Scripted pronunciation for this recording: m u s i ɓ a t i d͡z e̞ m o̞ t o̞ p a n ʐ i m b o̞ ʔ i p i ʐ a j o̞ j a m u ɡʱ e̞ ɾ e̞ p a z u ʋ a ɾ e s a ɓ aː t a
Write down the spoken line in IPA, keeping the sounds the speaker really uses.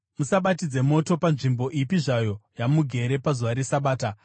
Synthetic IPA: m u s a ɓ a t i d͡z e̞ m o̞ t o̞ p a n ʐ i m b o̞ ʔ i p i ʐ a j o̞ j a m u ɡʱ e̞ ɾ e̞ p a z u ʋ a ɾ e s a ɓ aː t a